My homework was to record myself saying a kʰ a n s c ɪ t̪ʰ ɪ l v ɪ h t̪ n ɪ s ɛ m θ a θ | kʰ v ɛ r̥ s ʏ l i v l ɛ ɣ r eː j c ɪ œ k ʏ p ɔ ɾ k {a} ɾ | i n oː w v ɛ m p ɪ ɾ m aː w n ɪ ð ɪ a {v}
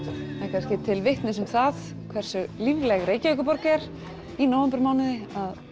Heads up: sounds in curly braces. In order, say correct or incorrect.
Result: incorrect, incorrect

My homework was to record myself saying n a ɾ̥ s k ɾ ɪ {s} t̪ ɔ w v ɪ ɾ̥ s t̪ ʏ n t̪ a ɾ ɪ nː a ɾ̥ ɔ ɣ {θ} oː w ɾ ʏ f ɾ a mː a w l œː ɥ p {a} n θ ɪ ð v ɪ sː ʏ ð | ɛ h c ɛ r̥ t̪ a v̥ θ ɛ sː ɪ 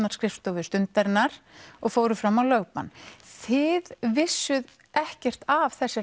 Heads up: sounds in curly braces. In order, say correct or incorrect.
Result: incorrect, incorrect, correct

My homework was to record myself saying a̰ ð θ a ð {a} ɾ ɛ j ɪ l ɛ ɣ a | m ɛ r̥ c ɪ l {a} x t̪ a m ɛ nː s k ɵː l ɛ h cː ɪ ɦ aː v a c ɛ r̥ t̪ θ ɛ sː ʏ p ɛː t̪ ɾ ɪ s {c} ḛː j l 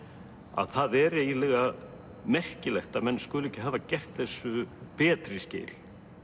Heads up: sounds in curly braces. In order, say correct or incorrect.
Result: incorrect, incorrect, correct

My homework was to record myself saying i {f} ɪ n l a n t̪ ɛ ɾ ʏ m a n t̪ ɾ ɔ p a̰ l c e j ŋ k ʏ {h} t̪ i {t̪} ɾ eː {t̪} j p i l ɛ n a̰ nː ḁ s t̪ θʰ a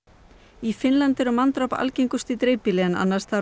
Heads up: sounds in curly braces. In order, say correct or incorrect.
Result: correct, incorrect, correct, incorrect

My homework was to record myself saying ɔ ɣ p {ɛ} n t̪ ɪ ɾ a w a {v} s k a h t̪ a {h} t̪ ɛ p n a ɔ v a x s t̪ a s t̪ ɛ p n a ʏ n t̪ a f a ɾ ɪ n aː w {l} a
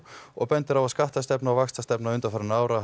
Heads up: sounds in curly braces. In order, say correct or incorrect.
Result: correct, incorrect, incorrect, incorrect

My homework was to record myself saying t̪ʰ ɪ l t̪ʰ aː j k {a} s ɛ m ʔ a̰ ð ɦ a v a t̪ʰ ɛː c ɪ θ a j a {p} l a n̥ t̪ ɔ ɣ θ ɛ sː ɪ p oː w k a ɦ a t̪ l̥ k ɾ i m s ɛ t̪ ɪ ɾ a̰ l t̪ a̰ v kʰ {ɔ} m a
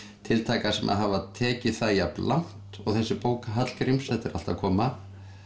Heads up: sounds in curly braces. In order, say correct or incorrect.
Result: correct, correct, incorrect

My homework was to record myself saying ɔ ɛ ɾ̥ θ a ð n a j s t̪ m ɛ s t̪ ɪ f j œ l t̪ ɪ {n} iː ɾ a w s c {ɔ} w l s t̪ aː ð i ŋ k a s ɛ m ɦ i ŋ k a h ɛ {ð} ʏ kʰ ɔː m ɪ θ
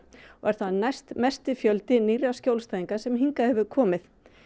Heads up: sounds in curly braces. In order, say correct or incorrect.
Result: correct, incorrect, incorrect

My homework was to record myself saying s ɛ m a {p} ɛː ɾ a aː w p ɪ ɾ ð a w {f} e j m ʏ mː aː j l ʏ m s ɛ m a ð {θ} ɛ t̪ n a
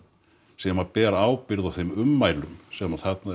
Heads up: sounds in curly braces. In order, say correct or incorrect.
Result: correct, incorrect, correct

